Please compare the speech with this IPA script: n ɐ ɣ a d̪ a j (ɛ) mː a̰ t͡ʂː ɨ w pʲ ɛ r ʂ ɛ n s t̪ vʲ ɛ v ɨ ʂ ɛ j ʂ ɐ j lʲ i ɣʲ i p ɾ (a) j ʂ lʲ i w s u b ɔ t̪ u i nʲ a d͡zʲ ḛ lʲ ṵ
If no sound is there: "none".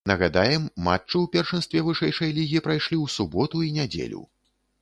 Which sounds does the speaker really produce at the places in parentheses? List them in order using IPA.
ɛ, a

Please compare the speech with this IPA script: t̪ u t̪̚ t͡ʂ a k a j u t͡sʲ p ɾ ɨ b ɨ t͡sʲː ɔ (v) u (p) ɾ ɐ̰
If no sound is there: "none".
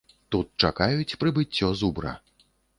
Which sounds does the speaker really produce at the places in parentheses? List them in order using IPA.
z, b

